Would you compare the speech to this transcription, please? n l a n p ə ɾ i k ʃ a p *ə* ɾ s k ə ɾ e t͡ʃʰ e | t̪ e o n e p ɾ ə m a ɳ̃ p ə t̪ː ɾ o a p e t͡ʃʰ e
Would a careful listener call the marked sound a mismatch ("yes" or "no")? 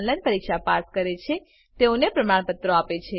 yes